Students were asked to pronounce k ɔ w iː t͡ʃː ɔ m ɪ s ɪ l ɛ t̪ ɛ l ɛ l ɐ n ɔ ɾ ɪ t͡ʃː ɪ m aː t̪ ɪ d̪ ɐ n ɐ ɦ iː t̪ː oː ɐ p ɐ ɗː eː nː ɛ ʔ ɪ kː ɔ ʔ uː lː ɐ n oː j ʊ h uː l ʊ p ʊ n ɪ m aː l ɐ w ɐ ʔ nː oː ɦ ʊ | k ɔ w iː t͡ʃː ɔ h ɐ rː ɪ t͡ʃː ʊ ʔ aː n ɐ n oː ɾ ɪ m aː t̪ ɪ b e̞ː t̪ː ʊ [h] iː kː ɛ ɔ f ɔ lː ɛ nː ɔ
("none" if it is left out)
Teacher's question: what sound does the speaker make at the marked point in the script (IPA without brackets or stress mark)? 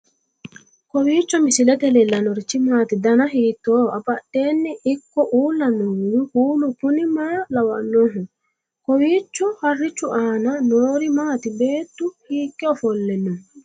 h